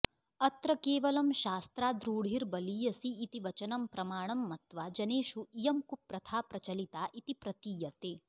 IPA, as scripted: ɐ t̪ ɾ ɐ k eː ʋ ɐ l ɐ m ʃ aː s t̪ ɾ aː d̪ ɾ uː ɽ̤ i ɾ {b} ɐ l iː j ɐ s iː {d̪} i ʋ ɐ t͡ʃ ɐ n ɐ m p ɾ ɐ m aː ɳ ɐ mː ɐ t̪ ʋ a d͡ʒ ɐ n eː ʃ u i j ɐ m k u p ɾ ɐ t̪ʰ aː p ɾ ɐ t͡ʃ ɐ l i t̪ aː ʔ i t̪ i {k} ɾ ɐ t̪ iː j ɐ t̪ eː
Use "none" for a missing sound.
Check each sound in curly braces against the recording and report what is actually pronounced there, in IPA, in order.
b, t̪, p

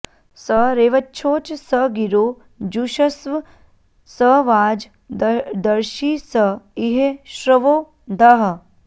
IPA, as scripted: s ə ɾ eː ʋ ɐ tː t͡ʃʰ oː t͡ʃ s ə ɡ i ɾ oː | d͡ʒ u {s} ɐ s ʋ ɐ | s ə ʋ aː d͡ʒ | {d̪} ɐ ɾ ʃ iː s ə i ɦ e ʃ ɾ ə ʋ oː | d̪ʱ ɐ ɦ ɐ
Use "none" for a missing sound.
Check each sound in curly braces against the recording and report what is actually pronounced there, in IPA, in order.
ʃ, d̪

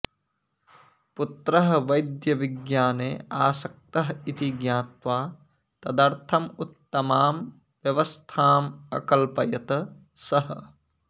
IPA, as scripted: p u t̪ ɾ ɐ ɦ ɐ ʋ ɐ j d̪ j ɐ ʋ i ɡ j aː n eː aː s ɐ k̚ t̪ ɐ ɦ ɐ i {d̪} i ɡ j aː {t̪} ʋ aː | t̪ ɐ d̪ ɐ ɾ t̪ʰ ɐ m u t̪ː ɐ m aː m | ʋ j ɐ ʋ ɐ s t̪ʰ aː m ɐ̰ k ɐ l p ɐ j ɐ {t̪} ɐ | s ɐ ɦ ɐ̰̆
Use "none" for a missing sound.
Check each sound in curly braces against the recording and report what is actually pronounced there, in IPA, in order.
t̪, t̪, t̪

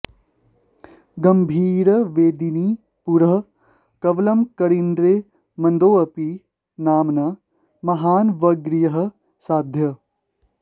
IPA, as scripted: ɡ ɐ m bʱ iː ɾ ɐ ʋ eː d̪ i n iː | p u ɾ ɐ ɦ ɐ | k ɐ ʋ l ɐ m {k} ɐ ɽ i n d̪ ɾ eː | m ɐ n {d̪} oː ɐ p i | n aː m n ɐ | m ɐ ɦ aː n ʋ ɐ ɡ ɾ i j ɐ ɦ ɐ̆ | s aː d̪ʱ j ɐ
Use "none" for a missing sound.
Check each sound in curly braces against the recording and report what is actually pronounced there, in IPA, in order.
k, d̪

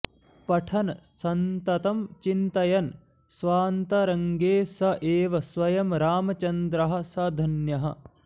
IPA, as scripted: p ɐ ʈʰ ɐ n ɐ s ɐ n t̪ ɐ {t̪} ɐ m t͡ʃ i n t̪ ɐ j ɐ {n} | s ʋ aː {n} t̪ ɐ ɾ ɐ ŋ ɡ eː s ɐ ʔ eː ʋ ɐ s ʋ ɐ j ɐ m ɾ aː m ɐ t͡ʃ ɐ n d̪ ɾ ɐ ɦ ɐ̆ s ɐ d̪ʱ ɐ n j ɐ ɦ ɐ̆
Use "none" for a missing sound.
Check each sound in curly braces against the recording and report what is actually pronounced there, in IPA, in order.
t̪, n, n

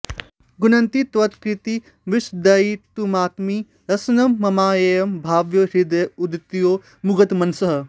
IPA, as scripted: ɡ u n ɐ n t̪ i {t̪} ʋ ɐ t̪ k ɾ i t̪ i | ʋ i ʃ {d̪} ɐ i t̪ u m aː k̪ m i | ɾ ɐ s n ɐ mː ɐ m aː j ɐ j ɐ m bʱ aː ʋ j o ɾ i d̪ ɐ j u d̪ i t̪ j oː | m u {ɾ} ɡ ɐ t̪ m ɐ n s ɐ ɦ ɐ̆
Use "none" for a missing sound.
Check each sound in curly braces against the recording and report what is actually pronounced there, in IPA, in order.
t̪, d̪, none

